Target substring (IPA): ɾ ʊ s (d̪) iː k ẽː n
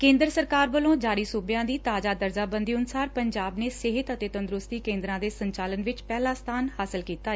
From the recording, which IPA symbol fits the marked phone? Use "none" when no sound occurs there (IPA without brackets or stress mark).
t̪